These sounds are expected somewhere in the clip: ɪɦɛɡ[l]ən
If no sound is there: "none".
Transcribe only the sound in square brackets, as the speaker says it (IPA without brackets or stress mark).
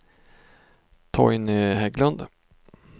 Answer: l